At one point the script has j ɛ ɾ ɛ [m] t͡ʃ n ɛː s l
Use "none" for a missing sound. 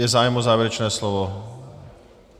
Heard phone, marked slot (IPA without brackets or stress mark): none